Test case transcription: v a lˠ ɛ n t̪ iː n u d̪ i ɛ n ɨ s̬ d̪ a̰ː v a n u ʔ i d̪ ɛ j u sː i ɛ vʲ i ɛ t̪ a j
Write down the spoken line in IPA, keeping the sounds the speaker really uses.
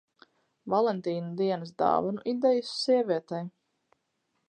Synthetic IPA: v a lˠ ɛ n t̪ iː n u d̪ i ɛ n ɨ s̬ d̪ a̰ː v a n u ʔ i d̪ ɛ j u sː i ɛ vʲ i ɛ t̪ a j